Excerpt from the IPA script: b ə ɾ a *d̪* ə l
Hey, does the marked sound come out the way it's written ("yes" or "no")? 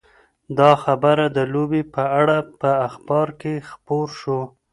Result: yes